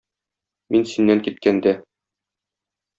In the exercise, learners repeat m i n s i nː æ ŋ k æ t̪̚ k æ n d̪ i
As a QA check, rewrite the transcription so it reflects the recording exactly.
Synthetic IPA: m i n s i nː æ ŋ k i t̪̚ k æ n d̪ æ